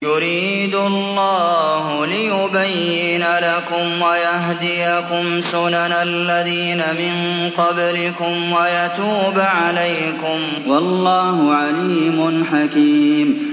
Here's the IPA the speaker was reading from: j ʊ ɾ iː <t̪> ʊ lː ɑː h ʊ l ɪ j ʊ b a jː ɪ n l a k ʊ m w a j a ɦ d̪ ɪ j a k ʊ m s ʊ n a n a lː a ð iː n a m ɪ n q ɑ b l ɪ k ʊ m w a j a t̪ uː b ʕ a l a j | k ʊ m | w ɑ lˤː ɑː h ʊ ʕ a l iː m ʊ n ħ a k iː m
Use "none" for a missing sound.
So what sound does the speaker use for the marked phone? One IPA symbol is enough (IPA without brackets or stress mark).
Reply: d̪